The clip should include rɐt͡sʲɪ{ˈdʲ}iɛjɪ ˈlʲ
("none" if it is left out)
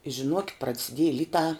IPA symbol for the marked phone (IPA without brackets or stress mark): dʲ